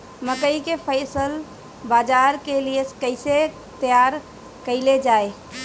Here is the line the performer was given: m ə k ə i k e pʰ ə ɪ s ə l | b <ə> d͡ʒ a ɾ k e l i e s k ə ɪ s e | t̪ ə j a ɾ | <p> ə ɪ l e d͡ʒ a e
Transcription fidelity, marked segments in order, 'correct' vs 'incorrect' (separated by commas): incorrect, incorrect